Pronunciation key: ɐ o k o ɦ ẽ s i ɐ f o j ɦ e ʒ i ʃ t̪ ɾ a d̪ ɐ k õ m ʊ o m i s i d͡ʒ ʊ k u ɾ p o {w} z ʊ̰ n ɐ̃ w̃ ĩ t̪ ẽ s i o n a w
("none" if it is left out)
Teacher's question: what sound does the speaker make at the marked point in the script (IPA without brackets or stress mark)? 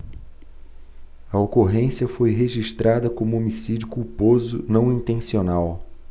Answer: none